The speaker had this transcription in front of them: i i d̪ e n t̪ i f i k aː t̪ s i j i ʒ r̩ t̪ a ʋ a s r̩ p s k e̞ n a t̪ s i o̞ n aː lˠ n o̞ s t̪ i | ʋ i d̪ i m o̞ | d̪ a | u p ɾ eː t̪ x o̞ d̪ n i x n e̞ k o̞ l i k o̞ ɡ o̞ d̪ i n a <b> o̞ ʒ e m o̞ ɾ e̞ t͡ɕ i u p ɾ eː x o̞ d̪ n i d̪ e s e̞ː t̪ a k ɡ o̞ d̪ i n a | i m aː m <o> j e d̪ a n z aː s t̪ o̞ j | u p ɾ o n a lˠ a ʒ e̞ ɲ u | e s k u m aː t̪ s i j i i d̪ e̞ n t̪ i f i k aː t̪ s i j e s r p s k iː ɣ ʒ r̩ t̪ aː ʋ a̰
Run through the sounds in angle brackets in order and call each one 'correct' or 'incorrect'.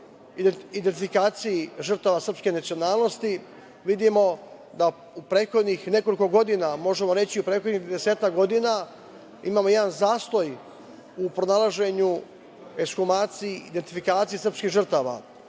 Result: incorrect: m, correct

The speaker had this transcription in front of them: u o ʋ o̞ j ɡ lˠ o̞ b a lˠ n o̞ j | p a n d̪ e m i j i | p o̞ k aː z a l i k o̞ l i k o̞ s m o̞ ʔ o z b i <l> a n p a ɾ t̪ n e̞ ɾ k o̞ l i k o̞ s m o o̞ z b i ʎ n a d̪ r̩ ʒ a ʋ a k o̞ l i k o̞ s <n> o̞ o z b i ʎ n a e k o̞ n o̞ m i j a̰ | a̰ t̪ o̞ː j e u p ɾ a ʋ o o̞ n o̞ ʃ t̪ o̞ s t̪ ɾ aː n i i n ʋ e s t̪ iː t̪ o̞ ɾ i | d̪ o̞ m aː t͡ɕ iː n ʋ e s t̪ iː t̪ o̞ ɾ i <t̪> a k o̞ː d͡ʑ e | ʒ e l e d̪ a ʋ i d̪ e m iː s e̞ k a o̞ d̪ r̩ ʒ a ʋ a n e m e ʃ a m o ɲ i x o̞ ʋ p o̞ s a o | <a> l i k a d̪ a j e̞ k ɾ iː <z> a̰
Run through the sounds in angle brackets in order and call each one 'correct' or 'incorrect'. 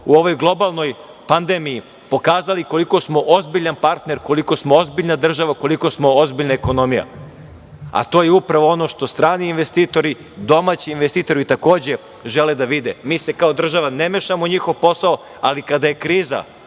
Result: incorrect: ʎ, incorrect: m, correct, correct, correct

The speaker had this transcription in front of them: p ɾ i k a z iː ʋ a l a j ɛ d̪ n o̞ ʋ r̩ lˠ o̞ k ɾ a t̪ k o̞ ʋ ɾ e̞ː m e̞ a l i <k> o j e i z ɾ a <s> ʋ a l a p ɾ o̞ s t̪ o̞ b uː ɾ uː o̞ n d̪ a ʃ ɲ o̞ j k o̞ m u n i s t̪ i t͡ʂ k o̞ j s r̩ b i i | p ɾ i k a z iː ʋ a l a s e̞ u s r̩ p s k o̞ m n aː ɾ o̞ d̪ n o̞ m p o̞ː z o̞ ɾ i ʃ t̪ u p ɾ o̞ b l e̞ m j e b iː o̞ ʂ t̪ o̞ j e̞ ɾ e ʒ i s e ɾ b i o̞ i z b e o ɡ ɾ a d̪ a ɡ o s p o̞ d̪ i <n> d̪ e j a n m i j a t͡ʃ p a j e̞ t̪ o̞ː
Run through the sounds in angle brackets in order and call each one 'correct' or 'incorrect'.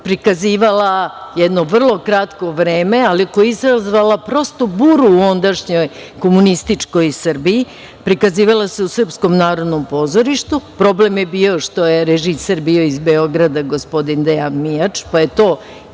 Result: correct, incorrect: z, correct

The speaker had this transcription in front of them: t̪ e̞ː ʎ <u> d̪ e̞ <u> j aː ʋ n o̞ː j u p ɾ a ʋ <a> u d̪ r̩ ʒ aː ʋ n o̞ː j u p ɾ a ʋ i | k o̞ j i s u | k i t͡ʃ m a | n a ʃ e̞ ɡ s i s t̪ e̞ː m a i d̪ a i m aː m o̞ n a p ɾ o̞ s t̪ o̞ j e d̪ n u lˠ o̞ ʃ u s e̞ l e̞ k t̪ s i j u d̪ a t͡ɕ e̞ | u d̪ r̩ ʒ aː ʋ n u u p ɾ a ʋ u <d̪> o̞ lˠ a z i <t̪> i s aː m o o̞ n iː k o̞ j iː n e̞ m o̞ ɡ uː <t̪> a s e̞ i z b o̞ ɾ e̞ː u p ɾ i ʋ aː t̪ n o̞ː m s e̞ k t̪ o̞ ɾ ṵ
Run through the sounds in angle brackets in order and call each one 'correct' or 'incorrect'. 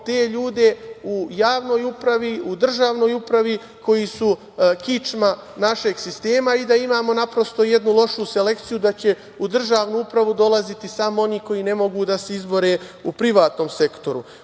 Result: incorrect: uː, correct, incorrect: i, correct, correct, incorrect: d̪

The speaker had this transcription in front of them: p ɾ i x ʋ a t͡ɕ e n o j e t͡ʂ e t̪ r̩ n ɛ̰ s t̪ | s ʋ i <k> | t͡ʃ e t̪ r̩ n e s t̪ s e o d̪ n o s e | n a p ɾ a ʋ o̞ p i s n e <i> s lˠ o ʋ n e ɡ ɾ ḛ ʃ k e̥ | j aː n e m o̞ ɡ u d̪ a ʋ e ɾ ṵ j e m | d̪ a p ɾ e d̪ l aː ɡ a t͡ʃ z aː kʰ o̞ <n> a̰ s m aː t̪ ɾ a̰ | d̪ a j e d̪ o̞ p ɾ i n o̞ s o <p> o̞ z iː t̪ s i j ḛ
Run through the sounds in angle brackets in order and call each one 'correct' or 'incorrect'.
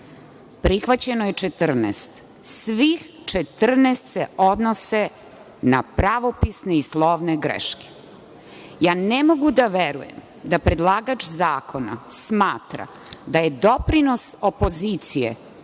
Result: incorrect: x, correct, correct, correct

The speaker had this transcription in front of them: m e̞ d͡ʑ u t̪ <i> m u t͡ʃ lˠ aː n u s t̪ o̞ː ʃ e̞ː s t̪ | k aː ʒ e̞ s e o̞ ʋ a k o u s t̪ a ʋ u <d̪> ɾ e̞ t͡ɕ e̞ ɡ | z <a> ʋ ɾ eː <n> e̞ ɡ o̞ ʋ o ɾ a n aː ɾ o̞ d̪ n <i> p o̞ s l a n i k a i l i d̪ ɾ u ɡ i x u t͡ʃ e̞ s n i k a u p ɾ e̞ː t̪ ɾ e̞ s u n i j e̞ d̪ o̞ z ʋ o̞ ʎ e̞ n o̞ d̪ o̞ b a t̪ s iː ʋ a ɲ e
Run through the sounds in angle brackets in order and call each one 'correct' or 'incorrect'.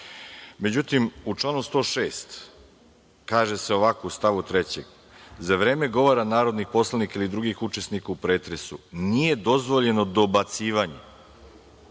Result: correct, incorrect: t̪, correct, incorrect: m, correct

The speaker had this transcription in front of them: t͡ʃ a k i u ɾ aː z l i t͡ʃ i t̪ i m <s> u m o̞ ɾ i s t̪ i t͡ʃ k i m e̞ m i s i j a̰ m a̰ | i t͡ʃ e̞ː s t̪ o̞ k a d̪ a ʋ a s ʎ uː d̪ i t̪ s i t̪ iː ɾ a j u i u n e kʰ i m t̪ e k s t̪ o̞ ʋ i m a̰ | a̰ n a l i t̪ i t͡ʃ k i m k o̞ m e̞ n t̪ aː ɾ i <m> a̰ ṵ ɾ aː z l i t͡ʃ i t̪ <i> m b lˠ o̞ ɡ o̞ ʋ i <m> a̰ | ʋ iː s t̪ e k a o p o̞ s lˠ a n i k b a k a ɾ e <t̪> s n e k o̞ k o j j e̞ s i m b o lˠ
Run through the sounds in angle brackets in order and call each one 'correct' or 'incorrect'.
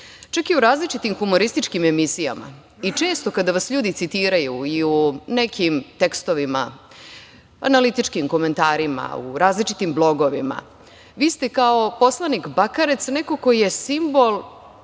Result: incorrect: x, correct, correct, correct, correct

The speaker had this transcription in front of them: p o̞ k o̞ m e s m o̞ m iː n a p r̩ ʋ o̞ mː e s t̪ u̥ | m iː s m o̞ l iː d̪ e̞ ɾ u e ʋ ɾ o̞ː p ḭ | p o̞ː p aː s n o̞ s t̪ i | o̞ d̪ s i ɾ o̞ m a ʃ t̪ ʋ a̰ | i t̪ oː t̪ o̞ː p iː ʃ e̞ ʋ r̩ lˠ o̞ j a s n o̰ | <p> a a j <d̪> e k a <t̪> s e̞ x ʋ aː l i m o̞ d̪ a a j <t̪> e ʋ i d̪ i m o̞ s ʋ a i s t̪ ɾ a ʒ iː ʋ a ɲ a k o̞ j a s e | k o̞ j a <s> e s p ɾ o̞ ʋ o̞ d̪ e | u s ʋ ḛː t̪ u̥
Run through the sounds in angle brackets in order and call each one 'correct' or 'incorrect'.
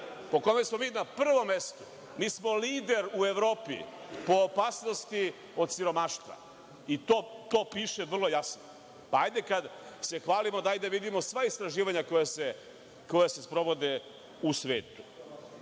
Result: correct, correct, incorrect: d̪, incorrect: d̪, correct

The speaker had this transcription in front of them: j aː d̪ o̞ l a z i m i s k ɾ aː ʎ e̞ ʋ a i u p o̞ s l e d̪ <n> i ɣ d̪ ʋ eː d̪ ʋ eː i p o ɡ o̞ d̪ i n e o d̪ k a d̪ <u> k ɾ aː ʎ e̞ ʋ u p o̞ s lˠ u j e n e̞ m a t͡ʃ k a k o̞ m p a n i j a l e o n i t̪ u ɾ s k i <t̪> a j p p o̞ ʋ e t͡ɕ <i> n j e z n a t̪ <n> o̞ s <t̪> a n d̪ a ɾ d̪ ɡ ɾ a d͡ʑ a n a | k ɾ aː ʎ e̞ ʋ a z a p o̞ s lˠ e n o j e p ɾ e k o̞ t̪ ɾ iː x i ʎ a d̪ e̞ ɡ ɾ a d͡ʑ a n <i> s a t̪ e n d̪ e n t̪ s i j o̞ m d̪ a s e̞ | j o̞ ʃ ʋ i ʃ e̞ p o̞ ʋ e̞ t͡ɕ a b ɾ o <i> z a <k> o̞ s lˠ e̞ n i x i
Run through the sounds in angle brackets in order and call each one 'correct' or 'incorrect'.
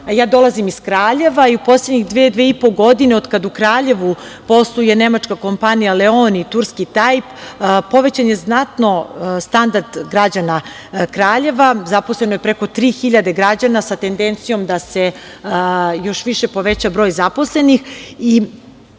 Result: incorrect: ɲ, correct, correct, incorrect: a, correct, correct, incorrect: a, incorrect: j, incorrect: p

